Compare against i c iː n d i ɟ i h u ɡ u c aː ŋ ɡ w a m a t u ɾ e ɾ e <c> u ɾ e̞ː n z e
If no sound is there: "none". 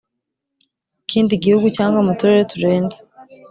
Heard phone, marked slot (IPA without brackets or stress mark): t